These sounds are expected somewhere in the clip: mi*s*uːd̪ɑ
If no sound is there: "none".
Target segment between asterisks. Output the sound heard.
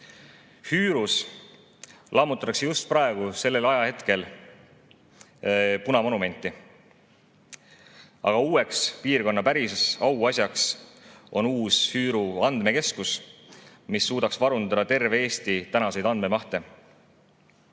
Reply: sː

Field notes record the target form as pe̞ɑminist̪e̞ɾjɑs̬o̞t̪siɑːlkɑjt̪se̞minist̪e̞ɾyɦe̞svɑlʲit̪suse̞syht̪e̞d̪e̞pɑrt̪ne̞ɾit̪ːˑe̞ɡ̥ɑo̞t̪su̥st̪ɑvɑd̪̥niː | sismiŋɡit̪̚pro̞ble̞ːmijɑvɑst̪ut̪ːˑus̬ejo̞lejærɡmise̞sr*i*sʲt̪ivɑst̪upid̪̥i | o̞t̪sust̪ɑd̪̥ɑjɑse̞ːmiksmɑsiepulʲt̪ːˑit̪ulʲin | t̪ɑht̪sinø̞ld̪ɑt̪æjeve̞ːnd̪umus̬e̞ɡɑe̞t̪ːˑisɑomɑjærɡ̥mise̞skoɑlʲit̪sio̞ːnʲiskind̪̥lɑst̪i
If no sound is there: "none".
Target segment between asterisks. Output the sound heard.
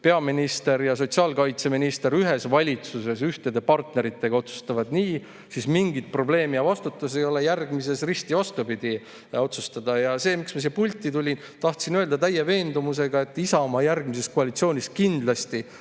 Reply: i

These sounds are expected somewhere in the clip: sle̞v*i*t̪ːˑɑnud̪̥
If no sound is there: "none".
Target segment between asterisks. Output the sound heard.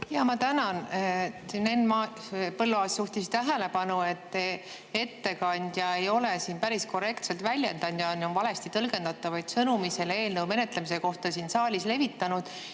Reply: i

